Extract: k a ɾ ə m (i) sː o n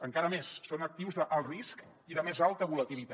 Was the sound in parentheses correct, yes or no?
no